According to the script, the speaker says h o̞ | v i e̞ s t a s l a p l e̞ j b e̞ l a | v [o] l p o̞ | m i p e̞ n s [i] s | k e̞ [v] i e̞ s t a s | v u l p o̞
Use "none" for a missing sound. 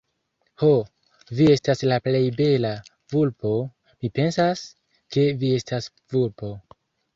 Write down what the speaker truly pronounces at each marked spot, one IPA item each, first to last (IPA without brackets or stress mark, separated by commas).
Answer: u, a, v